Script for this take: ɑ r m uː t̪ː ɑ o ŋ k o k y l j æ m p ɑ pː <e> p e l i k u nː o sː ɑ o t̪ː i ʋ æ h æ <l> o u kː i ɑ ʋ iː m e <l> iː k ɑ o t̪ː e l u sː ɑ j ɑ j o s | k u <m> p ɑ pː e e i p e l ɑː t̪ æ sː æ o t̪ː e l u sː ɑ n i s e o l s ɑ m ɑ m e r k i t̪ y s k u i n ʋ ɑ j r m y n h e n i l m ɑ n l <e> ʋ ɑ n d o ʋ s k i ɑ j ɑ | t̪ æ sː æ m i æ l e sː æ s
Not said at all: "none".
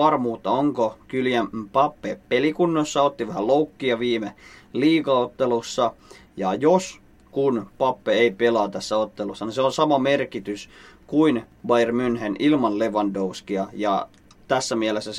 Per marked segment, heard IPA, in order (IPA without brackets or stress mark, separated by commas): e, l, l, n, e